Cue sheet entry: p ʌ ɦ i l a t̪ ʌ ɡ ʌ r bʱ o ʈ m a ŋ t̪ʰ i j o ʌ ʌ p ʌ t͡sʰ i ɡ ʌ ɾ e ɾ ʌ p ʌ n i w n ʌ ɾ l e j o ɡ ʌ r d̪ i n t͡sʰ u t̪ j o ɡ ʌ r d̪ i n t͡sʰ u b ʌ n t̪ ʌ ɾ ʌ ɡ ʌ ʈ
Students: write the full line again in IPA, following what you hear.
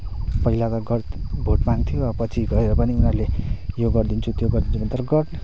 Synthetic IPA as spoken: p ʌ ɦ i l a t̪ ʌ ɡ ʌ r bʱ o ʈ m a ŋ t̪ʰ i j o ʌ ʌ p ʌ t͡sʰ i ɡ ʌ ɾ e ɾ ʌ p ʌ n i u n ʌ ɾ l e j o ɡ ʌ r d̪ i n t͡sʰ u t̪ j o ɡ ʌ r d̪ i n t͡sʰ u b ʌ n t̪ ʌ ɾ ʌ ɡ ʌ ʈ